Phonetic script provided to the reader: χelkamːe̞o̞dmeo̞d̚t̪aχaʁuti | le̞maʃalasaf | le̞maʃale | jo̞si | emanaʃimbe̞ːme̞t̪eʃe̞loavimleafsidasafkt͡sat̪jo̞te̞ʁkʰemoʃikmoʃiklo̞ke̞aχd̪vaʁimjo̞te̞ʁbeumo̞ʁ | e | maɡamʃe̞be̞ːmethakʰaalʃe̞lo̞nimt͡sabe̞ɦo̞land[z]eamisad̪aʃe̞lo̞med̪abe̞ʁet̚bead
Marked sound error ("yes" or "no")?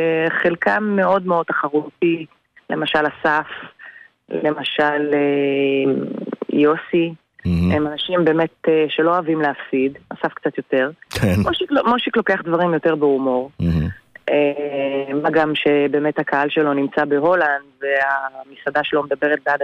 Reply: yes